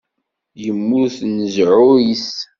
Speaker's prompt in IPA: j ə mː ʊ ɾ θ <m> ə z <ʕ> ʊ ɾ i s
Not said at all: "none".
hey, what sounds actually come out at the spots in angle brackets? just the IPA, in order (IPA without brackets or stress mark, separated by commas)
n, ʕ